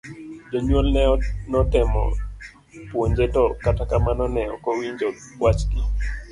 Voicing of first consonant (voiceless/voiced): voiced